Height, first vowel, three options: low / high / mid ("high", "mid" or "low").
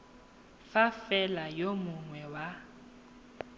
low